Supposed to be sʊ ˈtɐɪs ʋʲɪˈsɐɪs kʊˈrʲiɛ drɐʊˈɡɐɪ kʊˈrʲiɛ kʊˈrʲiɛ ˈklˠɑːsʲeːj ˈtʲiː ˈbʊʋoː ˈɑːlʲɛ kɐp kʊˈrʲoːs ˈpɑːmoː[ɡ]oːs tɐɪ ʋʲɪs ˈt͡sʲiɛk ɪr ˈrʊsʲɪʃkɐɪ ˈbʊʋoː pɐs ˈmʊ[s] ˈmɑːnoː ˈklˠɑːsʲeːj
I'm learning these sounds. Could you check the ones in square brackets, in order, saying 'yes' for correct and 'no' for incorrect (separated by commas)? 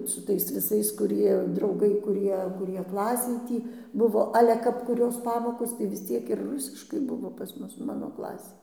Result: no, yes